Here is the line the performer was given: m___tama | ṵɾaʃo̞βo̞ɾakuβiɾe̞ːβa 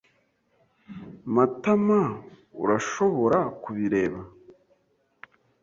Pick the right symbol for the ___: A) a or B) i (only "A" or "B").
A